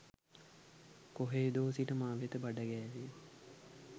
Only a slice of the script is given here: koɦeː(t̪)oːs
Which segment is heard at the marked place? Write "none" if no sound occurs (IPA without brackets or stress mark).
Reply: d̪